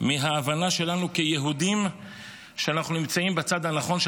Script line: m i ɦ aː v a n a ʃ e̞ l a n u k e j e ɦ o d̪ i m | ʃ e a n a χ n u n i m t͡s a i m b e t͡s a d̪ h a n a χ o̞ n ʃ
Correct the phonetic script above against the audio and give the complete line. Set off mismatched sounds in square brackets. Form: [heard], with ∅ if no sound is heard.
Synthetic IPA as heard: m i ɦ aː v a n a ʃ e̞ l a n u k e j e ɦ [u] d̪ i m | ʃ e a n a χ n u n i m t͡s a i m b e t͡s a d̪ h a n a χ o̞ n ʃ